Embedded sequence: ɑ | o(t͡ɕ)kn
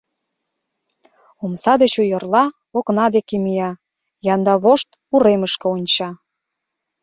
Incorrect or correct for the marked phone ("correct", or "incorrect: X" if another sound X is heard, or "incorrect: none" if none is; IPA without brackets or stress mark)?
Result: incorrect: none